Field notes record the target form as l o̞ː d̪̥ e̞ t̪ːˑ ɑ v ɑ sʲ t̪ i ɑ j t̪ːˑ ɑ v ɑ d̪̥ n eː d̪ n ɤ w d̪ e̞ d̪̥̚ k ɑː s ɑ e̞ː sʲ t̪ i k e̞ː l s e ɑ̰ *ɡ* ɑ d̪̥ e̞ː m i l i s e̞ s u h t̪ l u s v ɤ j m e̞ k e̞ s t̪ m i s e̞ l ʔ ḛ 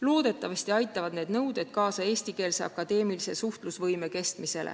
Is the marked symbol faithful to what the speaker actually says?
no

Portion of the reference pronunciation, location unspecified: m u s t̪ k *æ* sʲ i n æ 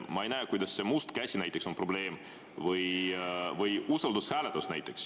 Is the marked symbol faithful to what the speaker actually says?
yes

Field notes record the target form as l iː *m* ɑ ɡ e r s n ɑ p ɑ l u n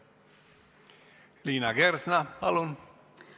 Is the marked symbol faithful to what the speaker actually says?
no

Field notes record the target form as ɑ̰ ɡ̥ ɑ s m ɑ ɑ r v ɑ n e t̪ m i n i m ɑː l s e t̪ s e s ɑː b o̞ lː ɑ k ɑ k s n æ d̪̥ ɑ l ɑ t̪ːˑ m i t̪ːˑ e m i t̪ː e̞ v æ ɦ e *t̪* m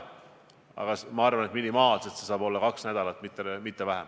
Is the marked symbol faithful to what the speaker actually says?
no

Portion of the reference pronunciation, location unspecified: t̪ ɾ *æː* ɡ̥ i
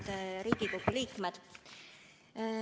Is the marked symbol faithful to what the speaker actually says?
no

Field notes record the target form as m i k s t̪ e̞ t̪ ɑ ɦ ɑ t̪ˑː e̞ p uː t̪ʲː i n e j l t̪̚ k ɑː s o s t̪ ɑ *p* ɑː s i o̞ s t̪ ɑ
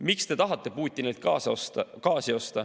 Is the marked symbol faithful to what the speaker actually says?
no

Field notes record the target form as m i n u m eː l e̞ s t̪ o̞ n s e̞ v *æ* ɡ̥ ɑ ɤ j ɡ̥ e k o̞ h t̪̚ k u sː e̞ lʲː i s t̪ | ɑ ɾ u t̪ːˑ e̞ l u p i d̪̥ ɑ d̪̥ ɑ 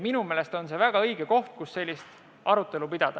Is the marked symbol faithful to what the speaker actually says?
yes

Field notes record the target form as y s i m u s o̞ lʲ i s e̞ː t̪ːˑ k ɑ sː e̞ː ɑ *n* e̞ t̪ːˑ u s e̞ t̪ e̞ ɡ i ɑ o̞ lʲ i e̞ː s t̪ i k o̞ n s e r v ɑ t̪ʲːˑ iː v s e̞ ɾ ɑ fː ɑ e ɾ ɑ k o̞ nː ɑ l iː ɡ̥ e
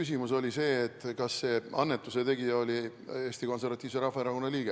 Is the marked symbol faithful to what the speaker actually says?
no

